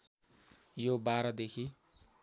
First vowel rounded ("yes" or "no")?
yes